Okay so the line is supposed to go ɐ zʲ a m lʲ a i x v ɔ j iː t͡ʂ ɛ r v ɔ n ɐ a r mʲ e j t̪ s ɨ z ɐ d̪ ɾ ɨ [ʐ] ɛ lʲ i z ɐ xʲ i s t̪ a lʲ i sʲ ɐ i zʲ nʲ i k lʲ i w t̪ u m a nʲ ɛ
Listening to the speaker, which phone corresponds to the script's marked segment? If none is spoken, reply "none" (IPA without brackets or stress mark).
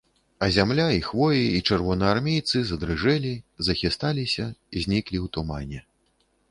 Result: ʐ